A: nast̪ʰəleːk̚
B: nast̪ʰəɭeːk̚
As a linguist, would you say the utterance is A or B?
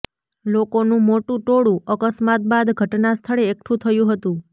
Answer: B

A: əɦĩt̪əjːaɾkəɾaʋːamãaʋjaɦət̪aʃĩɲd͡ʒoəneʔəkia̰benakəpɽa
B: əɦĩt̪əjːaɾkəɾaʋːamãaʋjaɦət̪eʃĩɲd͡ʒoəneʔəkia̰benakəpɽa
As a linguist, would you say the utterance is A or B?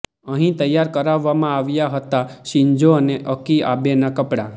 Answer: A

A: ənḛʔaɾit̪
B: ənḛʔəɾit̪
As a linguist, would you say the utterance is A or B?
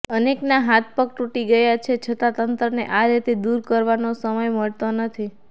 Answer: A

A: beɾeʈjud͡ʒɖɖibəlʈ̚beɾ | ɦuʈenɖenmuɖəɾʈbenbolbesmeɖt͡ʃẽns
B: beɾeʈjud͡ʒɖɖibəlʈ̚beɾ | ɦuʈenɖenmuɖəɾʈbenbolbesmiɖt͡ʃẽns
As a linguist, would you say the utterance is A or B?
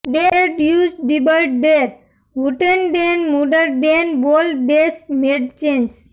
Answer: A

